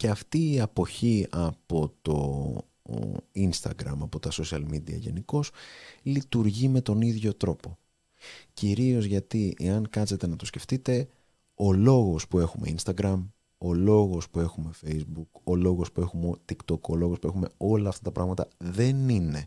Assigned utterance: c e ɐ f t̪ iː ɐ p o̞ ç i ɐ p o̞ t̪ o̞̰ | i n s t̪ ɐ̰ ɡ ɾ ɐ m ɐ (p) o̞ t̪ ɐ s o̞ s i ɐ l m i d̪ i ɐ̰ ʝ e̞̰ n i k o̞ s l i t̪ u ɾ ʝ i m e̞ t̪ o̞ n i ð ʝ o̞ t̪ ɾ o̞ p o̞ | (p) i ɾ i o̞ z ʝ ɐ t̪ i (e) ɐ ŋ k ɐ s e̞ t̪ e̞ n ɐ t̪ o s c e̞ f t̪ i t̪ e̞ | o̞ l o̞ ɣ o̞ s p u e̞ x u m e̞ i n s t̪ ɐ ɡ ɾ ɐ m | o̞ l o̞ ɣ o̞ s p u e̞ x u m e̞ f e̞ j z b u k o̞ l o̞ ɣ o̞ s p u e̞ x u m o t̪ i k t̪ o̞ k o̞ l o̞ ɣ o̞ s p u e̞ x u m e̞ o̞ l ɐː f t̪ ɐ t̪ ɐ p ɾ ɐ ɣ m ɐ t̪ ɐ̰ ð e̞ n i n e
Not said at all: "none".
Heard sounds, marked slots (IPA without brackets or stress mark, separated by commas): p, c, e